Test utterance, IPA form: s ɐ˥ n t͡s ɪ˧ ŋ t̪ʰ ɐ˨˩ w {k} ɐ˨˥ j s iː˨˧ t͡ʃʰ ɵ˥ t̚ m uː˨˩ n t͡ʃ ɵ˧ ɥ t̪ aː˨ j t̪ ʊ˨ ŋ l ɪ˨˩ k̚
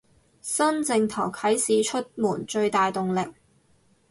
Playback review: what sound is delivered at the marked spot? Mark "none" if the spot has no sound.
kʰ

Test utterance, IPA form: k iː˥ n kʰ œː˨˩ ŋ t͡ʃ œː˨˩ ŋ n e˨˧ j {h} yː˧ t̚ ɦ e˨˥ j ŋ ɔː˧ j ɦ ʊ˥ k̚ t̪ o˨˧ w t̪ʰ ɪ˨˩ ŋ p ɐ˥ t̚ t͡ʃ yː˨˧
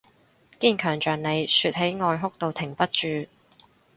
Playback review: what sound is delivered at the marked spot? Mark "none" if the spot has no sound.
s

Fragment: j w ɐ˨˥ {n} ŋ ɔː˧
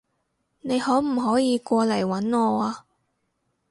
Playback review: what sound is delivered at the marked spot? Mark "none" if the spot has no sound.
n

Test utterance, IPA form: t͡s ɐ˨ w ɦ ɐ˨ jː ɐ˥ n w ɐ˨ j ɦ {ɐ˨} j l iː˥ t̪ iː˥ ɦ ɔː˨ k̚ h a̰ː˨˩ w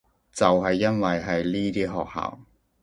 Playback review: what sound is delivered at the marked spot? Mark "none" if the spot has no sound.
ɐ˨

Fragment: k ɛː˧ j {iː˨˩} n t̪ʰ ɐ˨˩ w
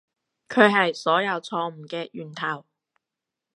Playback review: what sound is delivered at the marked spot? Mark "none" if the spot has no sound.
yː˨˩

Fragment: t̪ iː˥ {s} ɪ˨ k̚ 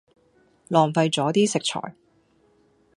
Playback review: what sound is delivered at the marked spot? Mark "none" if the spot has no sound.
s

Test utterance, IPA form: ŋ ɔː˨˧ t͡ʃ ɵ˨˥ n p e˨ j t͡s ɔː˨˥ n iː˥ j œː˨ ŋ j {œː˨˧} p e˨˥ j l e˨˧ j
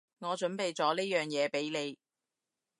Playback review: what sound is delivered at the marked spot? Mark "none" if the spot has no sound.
ɛː˨˧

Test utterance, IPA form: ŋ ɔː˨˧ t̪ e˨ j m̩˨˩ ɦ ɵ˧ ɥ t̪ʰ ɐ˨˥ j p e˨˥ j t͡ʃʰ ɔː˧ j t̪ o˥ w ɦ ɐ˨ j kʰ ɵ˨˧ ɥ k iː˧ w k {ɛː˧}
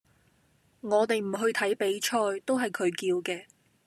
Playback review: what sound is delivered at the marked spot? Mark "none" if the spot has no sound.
ɛː˧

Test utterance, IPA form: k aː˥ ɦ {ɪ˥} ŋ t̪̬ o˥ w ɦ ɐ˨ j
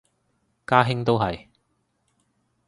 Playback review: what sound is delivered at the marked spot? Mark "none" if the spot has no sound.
ɪ˥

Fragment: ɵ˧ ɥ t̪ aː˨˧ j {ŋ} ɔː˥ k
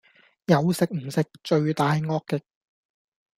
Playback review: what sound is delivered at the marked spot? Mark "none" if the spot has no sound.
ŋ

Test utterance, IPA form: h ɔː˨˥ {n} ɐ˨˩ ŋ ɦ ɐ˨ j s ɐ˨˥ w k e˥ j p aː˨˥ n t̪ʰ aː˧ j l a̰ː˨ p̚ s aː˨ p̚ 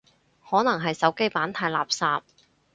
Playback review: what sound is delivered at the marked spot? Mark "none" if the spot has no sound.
n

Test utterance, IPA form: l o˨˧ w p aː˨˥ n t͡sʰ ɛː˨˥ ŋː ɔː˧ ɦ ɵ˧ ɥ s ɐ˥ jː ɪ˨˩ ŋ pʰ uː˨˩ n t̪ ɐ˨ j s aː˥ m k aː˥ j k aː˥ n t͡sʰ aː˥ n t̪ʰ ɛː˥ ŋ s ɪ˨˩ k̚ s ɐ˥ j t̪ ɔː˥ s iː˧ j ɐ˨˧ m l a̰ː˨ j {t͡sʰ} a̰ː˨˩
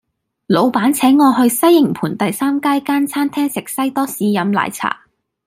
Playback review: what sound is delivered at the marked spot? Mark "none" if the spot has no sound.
t͡sʰ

